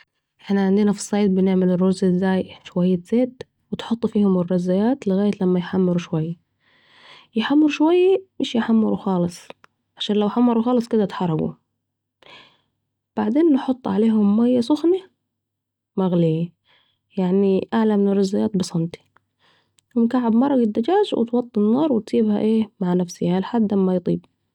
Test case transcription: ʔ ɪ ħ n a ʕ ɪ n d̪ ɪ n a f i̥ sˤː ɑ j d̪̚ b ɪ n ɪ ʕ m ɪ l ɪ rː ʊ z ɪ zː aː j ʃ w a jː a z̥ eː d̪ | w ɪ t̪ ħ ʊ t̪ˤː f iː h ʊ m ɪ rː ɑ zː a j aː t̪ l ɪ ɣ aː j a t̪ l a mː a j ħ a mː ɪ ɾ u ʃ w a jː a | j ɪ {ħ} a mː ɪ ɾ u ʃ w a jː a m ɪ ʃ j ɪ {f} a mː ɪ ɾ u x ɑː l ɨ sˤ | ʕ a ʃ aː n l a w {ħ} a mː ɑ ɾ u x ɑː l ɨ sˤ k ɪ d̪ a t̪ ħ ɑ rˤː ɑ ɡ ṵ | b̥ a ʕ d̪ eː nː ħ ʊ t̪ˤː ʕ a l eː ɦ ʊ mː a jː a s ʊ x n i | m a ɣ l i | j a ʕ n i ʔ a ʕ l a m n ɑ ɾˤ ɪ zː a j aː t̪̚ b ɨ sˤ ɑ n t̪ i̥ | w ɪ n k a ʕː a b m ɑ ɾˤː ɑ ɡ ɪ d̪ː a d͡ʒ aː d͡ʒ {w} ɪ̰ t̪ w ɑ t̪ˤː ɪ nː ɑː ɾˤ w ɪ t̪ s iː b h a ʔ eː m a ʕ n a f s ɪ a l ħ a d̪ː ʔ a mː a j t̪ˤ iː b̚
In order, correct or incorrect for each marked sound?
correct, incorrect: ħ, correct, correct

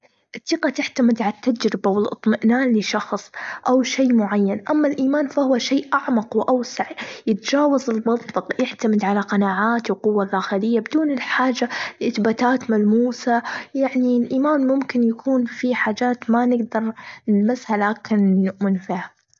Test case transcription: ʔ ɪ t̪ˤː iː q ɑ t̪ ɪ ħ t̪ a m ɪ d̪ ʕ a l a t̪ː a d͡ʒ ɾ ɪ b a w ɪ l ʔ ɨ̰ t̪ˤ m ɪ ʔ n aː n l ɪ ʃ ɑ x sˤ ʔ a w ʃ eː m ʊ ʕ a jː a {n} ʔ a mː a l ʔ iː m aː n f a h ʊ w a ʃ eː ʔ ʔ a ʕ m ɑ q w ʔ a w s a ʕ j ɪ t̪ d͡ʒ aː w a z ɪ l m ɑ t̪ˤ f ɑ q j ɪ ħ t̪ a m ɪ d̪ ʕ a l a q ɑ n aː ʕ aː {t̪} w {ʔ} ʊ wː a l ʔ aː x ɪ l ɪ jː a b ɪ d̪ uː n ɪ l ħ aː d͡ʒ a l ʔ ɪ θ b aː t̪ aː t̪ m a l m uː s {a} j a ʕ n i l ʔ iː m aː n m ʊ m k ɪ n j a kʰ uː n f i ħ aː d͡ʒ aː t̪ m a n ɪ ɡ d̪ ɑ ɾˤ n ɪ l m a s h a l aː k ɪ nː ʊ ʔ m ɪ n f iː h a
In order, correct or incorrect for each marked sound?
correct, correct, incorrect: q, correct

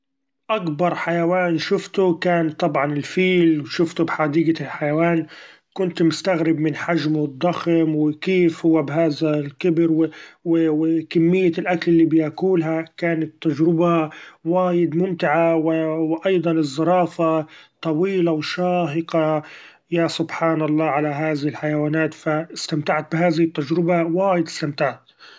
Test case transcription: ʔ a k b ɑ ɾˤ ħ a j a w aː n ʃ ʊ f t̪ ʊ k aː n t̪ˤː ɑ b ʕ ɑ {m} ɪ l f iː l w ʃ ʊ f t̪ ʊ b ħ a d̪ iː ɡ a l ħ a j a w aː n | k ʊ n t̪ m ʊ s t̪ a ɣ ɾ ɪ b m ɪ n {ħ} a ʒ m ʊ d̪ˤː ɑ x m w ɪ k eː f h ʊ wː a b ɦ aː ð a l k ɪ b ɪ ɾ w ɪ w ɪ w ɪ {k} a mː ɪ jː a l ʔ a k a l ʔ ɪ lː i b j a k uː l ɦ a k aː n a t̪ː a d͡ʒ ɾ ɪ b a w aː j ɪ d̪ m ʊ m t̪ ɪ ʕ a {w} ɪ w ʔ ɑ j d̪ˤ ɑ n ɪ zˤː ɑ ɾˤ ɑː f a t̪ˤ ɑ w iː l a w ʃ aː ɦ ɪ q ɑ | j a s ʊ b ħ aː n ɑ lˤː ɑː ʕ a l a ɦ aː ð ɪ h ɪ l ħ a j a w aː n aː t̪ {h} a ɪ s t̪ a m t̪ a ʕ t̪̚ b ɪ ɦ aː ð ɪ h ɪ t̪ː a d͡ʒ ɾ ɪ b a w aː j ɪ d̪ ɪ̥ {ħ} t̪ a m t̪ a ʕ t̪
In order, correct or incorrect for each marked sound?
incorrect: n, correct, correct, correct, incorrect: f, incorrect: s

